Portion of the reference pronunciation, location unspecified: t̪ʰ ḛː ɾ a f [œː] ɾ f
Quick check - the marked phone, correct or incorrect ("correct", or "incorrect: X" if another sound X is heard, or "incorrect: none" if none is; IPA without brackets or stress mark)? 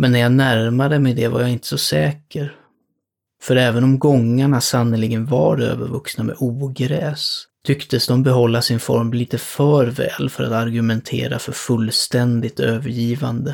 incorrect: œ